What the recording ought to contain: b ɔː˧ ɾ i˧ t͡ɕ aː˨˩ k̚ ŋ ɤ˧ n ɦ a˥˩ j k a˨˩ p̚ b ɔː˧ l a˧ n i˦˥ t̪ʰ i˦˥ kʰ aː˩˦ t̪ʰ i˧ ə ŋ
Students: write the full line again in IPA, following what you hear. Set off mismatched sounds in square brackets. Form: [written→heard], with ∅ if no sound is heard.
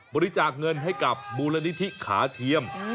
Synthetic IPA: b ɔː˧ ɾ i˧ t͡ɕ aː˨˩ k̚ ŋ ɤ˧ n ɦ a˥˩ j k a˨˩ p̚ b [ɔː˧→uː˧] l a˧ n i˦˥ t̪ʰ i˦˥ kʰ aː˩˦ t̪ʰ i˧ ə [ŋ→m]

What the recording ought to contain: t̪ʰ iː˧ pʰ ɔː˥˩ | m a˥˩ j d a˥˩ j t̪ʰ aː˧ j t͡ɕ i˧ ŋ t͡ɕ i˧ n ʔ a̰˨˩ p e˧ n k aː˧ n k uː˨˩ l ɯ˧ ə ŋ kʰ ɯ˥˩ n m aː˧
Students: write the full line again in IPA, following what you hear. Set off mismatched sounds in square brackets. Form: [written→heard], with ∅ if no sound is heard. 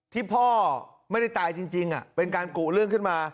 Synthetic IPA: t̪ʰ [iː˧→iː˥˩] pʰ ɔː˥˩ | m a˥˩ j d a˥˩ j [t̪ʰ→t̪] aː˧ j t͡ɕ i˧ ŋ t͡ɕ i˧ [n→ŋ] ʔ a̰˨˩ p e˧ n k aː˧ n k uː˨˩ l [ɯ˧→ɯ˥˩] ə ŋ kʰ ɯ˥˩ n m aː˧

